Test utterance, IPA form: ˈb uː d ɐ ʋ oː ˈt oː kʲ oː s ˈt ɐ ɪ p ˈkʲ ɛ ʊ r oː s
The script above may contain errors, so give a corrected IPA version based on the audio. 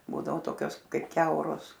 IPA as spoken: ˈb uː d ɐ ʋ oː ˈt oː kʲ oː s ˈk ɐ ɪ p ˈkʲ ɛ ʊ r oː s